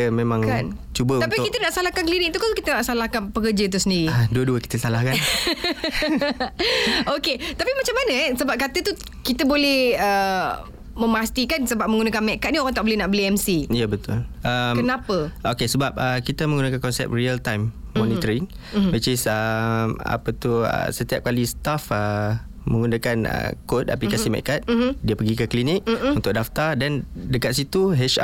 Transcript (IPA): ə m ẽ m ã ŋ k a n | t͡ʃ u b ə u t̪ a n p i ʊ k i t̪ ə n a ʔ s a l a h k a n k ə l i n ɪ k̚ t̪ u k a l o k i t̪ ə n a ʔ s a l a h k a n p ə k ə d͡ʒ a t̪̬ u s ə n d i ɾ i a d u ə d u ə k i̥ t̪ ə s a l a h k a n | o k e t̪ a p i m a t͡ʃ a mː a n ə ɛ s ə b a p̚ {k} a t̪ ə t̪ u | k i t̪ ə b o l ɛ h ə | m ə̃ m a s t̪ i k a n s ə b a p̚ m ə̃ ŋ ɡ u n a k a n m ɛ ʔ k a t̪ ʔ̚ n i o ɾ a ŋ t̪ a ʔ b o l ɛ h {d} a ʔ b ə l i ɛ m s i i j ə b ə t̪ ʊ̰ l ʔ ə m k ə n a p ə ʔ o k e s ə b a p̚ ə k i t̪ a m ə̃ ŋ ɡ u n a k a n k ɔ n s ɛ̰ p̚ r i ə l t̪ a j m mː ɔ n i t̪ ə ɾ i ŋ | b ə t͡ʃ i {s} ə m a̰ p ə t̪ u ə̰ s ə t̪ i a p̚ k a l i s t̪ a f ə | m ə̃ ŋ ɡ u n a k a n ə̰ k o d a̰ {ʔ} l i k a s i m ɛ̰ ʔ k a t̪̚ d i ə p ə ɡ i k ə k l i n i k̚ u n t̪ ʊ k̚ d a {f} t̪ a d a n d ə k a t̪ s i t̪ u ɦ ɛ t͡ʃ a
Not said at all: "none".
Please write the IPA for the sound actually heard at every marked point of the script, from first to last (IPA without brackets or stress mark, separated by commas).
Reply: k, n, s, p, f